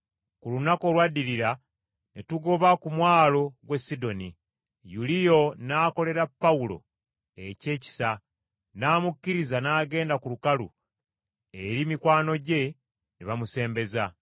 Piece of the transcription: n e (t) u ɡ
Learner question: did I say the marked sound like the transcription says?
yes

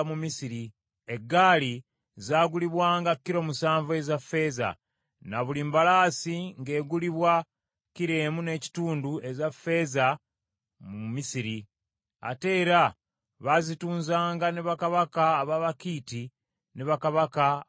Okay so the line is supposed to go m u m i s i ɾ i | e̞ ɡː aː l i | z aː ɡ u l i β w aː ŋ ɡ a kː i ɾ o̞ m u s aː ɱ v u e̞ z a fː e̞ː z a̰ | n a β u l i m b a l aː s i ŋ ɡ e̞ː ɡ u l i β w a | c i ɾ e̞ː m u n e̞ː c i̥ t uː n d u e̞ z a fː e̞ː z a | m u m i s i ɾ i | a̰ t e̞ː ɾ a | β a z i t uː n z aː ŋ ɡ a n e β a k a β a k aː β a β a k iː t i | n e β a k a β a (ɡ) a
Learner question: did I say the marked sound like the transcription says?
no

